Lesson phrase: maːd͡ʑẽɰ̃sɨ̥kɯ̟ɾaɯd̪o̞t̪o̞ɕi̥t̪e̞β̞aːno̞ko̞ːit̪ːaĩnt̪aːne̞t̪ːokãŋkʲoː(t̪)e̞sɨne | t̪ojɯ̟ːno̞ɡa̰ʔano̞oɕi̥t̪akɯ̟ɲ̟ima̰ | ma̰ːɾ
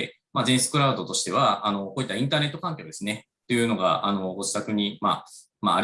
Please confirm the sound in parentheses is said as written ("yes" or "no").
no